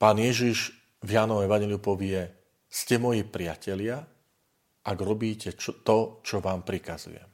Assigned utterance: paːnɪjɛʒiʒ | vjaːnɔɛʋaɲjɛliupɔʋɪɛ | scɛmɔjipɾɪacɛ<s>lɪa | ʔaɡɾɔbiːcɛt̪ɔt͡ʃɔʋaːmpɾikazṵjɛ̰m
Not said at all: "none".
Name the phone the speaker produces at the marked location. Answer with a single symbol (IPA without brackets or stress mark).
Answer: none